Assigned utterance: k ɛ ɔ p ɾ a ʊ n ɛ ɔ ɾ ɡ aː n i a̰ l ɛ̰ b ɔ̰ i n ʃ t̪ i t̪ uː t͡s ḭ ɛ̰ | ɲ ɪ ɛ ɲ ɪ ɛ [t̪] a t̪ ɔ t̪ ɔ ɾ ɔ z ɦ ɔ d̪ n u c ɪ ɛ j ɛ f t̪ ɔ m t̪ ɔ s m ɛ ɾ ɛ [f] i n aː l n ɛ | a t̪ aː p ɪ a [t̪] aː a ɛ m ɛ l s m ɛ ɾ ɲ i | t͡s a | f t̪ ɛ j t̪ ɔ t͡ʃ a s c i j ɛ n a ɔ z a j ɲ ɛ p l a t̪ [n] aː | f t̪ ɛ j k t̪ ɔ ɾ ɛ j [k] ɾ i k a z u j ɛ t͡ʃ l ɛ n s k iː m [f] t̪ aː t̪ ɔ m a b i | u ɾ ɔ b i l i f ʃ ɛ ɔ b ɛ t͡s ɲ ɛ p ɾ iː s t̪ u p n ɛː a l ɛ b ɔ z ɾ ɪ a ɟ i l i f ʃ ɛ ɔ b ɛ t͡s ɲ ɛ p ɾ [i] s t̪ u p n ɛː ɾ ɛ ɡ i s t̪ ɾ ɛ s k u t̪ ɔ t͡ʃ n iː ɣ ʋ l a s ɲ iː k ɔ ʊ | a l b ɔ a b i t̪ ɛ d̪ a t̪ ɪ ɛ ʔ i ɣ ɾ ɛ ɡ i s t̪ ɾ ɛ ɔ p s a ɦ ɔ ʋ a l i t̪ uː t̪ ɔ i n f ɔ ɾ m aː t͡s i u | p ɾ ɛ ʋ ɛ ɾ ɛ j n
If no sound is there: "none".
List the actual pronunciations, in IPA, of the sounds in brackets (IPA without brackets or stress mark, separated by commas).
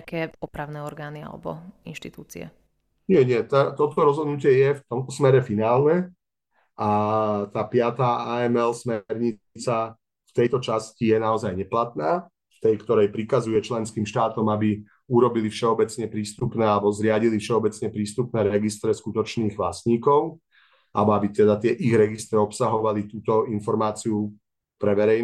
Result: t̪, f, t̪, n, p, ʃ, iː